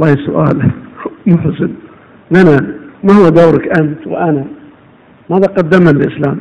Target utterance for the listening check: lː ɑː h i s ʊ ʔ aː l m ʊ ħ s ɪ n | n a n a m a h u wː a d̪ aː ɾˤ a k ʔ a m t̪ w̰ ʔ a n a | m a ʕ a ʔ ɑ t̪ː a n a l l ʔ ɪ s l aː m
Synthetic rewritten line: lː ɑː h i s ʊ ʔ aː l m ʊ ħ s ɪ n | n a n a m a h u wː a d̪ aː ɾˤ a k ʔ a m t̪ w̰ ʔ a n a | m a ð a q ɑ d̪ː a m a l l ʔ ɪ s l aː m